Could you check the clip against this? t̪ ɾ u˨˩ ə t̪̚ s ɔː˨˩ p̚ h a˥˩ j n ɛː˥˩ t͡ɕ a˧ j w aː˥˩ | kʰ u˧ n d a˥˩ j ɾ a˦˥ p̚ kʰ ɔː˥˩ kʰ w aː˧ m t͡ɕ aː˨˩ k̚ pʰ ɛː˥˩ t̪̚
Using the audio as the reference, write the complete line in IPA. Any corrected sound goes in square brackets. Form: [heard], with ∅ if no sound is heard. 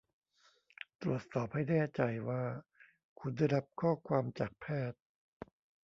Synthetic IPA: t̪ ɾ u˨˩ ə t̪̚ s ɔː˨˩ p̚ h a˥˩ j n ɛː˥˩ t͡ɕ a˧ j w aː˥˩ | kʰ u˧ n d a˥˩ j ɾ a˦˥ p̚ kʰ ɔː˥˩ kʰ w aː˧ m t͡ɕ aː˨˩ k̚ pʰ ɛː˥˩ t̪̚